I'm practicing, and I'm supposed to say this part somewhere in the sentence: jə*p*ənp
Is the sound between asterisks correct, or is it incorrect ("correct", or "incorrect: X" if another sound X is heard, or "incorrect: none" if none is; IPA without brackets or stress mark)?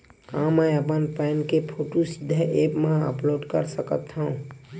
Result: correct